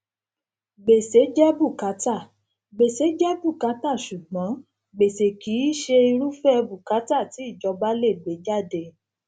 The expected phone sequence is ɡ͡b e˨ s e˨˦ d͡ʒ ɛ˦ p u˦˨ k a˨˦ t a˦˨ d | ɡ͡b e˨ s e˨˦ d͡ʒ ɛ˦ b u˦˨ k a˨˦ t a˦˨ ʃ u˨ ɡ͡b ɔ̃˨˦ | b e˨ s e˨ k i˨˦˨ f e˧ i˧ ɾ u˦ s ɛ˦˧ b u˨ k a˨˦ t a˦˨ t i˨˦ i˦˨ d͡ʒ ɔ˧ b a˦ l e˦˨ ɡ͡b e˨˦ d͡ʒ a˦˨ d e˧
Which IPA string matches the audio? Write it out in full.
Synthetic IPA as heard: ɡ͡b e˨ s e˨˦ d͡ʒ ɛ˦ b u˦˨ k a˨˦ t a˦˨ | ɡ͡b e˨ s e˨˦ d͡ʒ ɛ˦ b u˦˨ k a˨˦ t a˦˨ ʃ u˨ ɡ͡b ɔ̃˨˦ | ɡ͡b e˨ s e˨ k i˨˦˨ ʃ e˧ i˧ ɾ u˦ f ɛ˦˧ b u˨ k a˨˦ t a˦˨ t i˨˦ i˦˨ d͡ʒ ɔ˧ b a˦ l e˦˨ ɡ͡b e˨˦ d͡ʒ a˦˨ d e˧